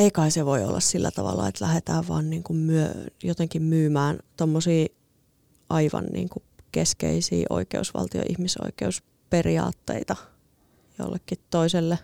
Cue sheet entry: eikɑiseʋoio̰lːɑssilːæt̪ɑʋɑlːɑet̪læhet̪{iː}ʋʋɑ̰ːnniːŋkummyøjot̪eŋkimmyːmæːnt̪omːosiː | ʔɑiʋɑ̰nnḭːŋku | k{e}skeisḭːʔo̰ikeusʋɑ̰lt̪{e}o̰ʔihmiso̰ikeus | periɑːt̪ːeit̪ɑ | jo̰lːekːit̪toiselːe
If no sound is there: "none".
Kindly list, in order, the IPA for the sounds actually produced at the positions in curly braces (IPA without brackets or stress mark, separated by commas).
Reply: æː, e, i